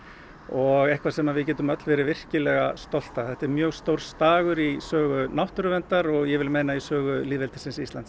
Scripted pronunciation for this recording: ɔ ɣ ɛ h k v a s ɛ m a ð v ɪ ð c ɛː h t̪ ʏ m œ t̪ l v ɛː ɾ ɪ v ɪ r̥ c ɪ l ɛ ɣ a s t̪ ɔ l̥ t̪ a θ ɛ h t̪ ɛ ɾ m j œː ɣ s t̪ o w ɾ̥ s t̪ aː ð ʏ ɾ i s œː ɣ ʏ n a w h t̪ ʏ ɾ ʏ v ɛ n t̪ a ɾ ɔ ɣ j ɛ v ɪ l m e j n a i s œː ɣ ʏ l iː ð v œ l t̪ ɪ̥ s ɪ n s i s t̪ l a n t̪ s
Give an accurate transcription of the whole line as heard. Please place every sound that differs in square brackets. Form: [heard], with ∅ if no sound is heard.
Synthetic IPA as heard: ɔ ɣ ɛ h k v a s ɛ m a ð v ɪ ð c ɛː [∅] t̪ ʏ m œ t̪ l v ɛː ɾ ɪ v ɪ r̥ c ɪ l ɛ ɣ a s t̪ ɔ l̥ t̪ a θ ɛ h t̪ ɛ ɾ m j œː ɣ s t̪ o w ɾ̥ s t̪ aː [ɣ] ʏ ɾ i s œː ɣ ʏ n a w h t̪ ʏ ɾ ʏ v ɛ n t̪ a ɾ ɔ ɣ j ɛ v ɪ l m e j n a i s œː ɣ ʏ l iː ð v [ɛ] l t̪ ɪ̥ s ɪ n s i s t̪ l a n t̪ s

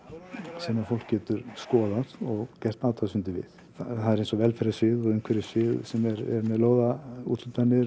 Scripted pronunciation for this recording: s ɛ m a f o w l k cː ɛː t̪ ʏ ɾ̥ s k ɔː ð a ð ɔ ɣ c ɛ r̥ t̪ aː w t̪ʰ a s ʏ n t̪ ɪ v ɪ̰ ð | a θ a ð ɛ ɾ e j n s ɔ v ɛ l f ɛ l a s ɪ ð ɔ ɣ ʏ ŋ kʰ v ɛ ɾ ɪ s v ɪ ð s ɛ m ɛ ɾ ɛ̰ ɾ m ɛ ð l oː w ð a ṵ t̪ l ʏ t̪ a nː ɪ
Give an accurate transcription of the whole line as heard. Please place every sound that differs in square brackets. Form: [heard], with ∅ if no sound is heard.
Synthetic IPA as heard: s ɛ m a f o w l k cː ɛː t̪ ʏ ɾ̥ s k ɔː ð a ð ɔ ɣ c ɛ r̥ t̪ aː w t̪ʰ a s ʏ n t̪ ɪ v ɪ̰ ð | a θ a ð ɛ ɾ e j n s ɔ v ɛ l f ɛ [ɾ] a s ɪ ð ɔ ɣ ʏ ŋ kʰ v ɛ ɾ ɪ s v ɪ ð s ɛ m ɛ ɾ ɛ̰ ɾ m ɛ ð l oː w ð a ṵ t̪ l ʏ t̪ a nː ɪ

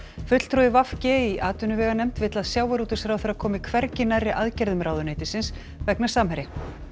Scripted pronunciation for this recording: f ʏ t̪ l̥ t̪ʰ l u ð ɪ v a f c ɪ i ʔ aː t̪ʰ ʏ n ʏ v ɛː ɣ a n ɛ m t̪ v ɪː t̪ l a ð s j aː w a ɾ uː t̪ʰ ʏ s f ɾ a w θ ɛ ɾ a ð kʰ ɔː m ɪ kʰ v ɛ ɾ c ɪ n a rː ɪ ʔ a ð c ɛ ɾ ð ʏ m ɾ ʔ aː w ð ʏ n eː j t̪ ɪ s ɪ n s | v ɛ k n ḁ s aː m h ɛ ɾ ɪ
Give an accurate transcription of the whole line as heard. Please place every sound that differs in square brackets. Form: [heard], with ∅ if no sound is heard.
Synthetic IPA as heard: f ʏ t̪ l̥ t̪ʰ [ɾ] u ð ɪ v a f c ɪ i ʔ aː [t̪] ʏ n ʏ v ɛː ɣ a n ɛ m t̪ v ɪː t̪ l a ð s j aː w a ɾ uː [t̪] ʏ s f ɾ a w θ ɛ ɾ a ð kʰ ɔː m ɪ kʰ v ɛ ɾ c ɪ n a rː ɪ ʔ a ð c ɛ ɾ ð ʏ m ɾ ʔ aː w ð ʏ n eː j t̪ ɪ s ɪ n s | v ɛ k n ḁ s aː m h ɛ ɾ ɪ

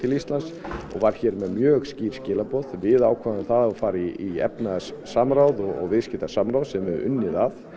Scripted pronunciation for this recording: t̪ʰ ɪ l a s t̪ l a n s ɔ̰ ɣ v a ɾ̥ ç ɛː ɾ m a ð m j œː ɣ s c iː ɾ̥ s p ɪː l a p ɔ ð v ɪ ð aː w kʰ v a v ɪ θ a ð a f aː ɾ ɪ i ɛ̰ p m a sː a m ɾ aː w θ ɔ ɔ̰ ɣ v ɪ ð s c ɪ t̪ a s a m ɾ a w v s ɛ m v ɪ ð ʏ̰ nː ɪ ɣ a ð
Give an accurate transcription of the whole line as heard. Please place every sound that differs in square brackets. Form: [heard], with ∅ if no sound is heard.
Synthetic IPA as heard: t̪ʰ ɪ l [i] s t̪ l a n s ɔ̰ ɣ v a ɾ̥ ç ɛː ɾ m [ɛ] ð m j œː ɣ s c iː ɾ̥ s [c] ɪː l a p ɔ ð v ɪ ð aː w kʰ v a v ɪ θ a ð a f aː ɾ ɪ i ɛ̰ p [n] a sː a m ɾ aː w [ð] ɔ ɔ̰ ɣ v ɪ ð s c ɪ t̪ a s a m ɾ a w [ð] s ɛ m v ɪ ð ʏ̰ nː ɪ [ð] a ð

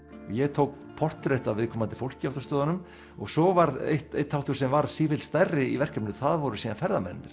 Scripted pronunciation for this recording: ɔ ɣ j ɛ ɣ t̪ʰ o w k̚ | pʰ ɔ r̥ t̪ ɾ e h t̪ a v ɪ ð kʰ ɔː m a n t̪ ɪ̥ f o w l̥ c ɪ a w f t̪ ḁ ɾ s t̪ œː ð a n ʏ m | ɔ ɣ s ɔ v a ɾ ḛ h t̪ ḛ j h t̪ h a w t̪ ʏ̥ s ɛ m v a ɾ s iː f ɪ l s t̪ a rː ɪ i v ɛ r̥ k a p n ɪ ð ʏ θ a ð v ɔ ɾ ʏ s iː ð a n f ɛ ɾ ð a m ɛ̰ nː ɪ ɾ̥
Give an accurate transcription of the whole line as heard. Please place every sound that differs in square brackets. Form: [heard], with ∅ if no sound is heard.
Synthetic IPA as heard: ɔ ɣ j ɛ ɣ t̪ʰ o w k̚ | pʰ ɔ r̥ t̪ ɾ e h t̪ a v ɪ ð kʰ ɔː m a n t̪ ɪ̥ f o w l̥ c ɪ a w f t̪ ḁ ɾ s t̪ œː ð a n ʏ m | ɔ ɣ s ɔ v a ɾ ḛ h t̪ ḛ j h t̪ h a w t̪ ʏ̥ s ɛ m v a ɾ s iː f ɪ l s t̪ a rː ɪ i v ɛ r̥ k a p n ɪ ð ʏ θ a ð v ɔ ɾ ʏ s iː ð a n f ɛ ɾ ð a m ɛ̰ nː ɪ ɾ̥

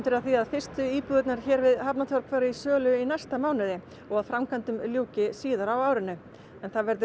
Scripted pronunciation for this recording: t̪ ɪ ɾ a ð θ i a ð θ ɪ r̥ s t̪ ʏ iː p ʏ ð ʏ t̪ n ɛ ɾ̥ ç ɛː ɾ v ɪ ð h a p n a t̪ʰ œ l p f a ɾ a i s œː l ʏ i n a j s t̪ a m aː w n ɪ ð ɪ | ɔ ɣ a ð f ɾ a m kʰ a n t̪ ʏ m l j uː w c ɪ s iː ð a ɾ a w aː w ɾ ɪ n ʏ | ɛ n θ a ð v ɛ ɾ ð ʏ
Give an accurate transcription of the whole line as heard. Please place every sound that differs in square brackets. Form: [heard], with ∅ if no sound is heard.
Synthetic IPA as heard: t̪ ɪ ɾ a ð θ i a ð [f] ɪ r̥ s t̪ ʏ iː p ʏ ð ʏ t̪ n [a] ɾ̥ ç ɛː ɾ v ɪ ð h a p n a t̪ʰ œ [ɾ] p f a ɾ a i s œː l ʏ i n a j s t̪ a m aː w n ɪ ð ɪ | ɔ ɣ a ð f ɾ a m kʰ a n t̪ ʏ m l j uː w c ɪ s iː ð a ɾ a w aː w ɾ ɪ n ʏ | ɛ n θ a ð v ɛ ɾ ð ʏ

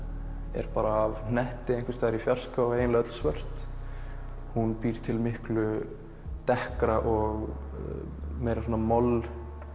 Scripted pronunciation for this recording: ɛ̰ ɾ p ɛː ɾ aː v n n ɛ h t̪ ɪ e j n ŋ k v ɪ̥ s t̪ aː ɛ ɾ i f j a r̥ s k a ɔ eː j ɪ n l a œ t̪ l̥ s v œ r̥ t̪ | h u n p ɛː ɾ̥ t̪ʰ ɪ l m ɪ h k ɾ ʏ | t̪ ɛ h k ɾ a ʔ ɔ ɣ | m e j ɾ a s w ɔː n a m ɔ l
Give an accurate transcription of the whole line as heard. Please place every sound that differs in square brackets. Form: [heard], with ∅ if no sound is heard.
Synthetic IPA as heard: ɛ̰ ɾ p [aː] ɾ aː v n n ɛ h t̪ ɪ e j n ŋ k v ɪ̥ s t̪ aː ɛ ɾ i f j a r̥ s k a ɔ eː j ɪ n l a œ t̪ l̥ s v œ r̥ t̪ | h u n p [iː] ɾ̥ t̪ʰ ɪ l m ɪ h k [l] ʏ | t̪ ɛ h k ɾ a ʔ ɔ ɣ | m e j ɾ a s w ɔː n a m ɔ l

